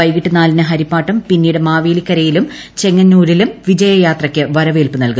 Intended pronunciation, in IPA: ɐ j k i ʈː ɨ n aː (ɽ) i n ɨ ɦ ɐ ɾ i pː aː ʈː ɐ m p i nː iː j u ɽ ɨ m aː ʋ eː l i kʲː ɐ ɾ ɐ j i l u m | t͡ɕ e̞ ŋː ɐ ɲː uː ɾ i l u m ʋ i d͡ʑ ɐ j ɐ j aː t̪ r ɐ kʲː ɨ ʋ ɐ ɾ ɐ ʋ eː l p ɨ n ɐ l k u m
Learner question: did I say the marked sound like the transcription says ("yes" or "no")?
no